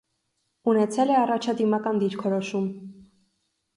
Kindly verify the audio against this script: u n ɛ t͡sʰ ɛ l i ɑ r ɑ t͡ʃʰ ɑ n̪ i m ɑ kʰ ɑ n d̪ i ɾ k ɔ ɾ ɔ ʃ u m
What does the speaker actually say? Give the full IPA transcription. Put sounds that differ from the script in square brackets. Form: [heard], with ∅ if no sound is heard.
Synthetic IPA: u n ɛ t͡sʰ ɛ l [ɛ] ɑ r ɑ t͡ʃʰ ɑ [d̪] i m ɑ [k] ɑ n d̪ i ɾ [kʰ] ɔ ɾ ɔ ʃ u m

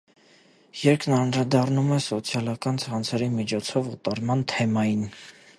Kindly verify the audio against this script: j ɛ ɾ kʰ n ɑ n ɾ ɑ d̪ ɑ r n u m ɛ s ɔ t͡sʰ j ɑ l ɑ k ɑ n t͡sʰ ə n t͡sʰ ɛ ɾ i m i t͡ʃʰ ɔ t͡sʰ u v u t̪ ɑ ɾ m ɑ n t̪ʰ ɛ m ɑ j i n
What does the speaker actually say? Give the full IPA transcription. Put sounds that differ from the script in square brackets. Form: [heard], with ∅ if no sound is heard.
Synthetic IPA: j ɛ ɾ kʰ n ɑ n ɾ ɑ d̪ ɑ r n u m ɛ s ɔ t͡sʰ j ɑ l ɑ k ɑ n t͡sʰ [ɑ] n t͡sʰ ɛ ɾ i m i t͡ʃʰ ɔ t͡sʰ [ɔ] v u t̪ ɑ ɾ m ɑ n t̪ʰ ɛ m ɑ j i n

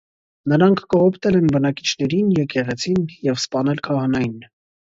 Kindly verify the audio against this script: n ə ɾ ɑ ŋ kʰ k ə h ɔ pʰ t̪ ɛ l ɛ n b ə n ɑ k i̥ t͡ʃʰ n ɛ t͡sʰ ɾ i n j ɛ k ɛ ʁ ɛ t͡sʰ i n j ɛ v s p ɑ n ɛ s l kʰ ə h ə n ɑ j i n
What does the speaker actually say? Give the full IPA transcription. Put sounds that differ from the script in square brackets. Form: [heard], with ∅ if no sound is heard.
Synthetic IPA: n ə ɾ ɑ ŋ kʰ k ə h ɔ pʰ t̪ ɛ l ɛ n b ə n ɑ k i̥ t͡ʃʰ n ɛ [∅] ɾ i n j ɛ k ɛ ʁ ɛ t͡sʰ i n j ɛ v s p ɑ n ɛ [∅] l kʰ [ɑ] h [ɑ] n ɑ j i n

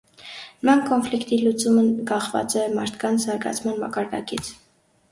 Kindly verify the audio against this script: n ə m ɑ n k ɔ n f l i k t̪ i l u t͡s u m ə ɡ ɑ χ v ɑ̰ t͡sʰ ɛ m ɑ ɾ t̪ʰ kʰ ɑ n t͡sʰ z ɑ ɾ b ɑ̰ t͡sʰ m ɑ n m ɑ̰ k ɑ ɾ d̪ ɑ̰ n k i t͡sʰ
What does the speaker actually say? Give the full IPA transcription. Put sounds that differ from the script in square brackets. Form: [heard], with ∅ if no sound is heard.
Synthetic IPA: n ə m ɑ n k ɔ n f l i k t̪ i l u t͡s u m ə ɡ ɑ χ v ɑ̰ [t͡s] ɛ m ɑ ɾ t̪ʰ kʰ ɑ n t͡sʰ z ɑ ɾ [ɡ] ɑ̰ t͡sʰ m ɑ n m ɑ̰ k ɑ ɾ d̪ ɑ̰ [∅] k i t͡sʰ

